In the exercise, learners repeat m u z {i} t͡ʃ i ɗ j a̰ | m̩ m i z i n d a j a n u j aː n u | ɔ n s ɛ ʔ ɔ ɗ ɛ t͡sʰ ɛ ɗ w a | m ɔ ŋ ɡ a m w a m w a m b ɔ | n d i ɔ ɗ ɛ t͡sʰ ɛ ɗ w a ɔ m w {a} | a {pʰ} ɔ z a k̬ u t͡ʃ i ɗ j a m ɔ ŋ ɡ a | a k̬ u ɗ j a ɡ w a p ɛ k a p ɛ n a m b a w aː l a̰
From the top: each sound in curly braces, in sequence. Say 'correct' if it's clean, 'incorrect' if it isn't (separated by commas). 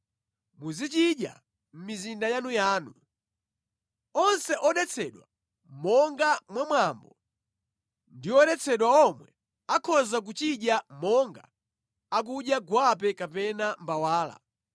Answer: correct, incorrect, incorrect